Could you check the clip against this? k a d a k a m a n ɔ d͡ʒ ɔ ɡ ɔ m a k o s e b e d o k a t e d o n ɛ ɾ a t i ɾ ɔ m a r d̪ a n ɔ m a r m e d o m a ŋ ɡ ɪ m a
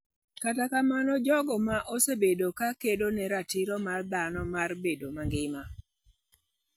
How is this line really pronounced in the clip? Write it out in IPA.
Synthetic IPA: k a t a k a m a n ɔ d͡ʒ ɔ ɡ ɔ m a ʔ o s e b e d o k a k e d o n ɛ ɾ a t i ɾ ɔ m a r d̪ a n ɔ m a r b e d o m a ŋ ɡ ɪ m a